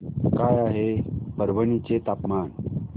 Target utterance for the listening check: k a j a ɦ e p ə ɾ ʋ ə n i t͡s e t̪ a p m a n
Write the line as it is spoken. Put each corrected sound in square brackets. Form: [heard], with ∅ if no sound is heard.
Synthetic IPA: k a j a ɦ e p ə ɾ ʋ ə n i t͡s e t̪ a p m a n